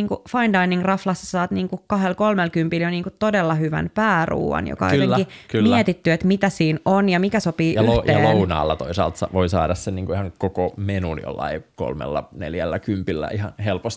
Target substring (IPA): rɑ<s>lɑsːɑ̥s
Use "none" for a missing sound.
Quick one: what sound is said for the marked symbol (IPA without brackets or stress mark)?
f